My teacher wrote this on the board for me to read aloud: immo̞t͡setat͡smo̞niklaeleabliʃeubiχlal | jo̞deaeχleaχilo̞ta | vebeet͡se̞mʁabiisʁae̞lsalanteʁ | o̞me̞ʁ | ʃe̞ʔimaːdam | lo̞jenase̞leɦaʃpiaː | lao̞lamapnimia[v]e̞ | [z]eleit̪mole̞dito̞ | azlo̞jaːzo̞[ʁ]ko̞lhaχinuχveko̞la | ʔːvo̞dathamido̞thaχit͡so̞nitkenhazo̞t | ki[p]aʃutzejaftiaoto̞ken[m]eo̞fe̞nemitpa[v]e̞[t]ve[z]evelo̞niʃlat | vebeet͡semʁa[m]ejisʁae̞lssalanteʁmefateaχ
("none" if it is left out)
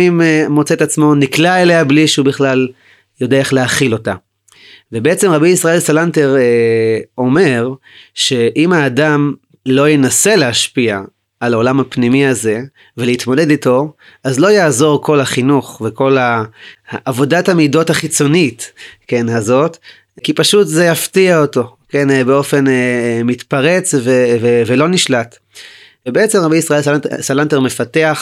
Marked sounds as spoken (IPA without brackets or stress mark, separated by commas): z, v, ʁ, p, b, ʁ, t͡s, v, b